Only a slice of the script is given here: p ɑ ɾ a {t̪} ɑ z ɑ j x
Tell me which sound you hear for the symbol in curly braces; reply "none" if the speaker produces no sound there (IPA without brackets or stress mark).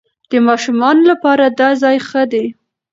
d̪